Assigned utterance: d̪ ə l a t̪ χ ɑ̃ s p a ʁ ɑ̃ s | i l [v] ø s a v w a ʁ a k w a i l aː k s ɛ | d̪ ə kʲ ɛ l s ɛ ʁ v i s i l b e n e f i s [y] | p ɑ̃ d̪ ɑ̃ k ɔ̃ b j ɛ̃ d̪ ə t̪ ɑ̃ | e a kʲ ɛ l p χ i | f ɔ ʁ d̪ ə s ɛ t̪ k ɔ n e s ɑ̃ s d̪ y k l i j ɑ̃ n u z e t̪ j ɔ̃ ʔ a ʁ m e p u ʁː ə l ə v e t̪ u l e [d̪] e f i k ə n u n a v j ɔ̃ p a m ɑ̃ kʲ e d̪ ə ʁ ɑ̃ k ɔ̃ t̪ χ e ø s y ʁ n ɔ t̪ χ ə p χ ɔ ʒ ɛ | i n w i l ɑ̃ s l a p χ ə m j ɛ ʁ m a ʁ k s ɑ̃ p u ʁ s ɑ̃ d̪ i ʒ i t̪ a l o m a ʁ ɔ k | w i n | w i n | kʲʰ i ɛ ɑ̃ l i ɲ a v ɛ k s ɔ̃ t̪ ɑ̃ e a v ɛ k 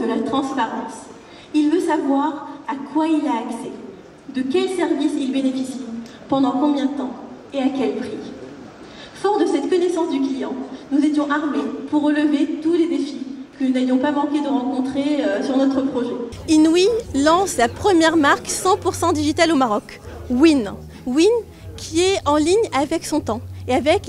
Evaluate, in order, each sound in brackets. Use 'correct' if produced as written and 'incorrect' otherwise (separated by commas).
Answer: correct, incorrect, correct